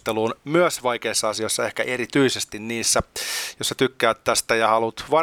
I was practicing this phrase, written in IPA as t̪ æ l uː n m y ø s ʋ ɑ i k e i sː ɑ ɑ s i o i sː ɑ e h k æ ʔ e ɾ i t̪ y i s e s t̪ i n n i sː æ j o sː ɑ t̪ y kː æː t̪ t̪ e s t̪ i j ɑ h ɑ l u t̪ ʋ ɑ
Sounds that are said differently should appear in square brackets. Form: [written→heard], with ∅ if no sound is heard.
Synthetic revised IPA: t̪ [æ→e] l uː n m y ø s ʋ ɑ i k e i sː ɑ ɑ s i o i sː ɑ e h k æ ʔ e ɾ i t̪ y i s e s t̪ i n n [i→iː] sː æ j o sː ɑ t̪ y kː æː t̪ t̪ [e→æ] s t̪ [i→æ] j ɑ h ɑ l u t̪ ʋ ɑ